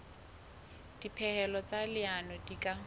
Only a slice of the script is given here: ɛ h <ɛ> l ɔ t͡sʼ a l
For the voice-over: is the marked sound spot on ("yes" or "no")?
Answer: yes